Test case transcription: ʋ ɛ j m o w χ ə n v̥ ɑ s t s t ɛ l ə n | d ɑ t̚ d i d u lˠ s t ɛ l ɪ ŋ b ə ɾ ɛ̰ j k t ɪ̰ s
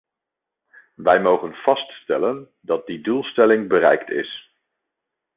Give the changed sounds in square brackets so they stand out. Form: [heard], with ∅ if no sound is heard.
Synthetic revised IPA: ʋ ɛ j m o w χ ə n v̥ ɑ s t s t ɛ l ə n | d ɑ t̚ d i d u lˠ s t ɛ l ɪ ŋ b ə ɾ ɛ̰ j k t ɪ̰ s